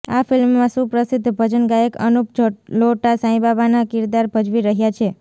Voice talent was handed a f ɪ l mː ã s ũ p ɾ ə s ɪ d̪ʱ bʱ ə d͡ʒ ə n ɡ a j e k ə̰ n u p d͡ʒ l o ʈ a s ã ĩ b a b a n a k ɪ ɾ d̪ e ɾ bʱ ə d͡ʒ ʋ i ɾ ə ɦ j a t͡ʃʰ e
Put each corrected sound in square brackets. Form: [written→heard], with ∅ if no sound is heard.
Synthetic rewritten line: a f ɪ l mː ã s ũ p ɾ ə s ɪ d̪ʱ bʱ ə d͡ʒ ə n ɡ a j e k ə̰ n u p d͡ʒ l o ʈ a s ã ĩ b a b a n a k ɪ ɾ d̪ [e→a] ɾ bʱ ə d͡ʒ ʋ i ɾ ə ɦ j a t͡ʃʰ e

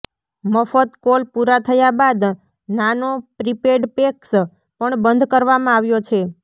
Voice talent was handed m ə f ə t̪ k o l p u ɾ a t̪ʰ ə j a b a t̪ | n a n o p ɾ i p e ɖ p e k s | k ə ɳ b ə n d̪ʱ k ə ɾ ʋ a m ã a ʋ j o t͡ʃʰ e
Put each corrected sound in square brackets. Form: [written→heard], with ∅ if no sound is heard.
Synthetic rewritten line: m ə f ə t̪ k o l p u ɾ a t̪ʰ ə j a b a [t̪→d̪] | n a n o p ɾ i p e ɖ p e k s | [k→p] ə ɳ b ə n d̪ʱ k ə ɾ ʋ a m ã a ʋ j o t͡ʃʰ e

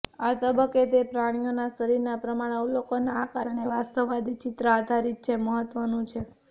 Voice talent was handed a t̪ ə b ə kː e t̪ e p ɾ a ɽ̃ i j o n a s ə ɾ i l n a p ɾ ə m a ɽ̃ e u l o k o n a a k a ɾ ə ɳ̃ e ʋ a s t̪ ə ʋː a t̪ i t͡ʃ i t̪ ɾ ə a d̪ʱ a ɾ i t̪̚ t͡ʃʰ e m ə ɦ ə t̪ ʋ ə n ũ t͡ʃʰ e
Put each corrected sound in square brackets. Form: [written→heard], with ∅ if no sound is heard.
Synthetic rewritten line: a t̪ ə b ə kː e t̪ e p ɾ a ɽ̃ i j o n a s ə ɾ i [l→ɾ] n a p ɾ ə m a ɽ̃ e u l o k o n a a k a ɾ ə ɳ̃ e ʋ a s t̪ ə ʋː a [t̪→d̪] i t͡ʃ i t̪ ɾ ə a d̪ʱ a ɾ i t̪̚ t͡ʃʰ e m ə ɦ ə t̪ ʋ ə n ũ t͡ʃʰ e

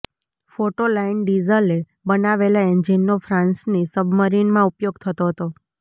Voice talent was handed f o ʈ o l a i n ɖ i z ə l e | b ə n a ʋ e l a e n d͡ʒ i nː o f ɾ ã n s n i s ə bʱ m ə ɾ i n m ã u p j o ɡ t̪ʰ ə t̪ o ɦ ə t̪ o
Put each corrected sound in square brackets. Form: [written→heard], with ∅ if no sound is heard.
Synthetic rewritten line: f o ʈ o l a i n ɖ i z ə l e | b ə n a ʋ e l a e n d͡ʒ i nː o f ɾ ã n s n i s ə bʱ m ə ɾ i n m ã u p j o ɡ t̪ʰ ə t̪ o ɦ ə t̪ o

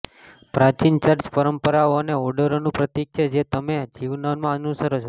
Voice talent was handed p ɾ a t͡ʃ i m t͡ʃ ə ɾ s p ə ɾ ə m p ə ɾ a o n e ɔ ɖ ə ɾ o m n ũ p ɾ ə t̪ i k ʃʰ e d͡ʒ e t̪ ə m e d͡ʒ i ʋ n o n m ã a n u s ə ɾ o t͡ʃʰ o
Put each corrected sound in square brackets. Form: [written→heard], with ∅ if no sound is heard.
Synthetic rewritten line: p ɾ a t͡ʃ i [m→n] t͡ʃ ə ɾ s p ə ɾ ə m p ə ɾ a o n e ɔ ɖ ə ɾ o [m→∅] n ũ p ɾ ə t̪ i k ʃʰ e d͡ʒ e t̪ ə m e d͡ʒ i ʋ n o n m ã [a→ə] n u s ə ɾ o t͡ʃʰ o

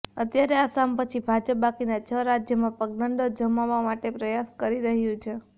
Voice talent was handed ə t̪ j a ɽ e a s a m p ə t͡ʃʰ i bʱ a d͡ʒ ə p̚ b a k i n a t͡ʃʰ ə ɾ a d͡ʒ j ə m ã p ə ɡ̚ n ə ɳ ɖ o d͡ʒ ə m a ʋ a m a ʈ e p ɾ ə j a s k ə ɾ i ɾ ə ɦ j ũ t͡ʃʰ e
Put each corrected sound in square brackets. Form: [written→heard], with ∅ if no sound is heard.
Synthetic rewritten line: ə t̪ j a [ɽ→ɾ] e a s a m p ə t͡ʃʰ i bʱ a d͡ʒ ə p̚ b a k i n a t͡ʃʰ ə ɾ a d͡ʒ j ə m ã p ə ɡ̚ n ə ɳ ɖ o d͡ʒ ə m a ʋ a m a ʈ e p ɾ ə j a s k ə ɾ i ɾ ə ɦ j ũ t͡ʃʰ e

